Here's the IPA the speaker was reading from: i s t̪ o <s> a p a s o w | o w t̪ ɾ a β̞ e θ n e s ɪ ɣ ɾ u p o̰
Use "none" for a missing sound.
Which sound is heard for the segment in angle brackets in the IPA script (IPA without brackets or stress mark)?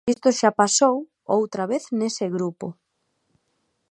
ʃ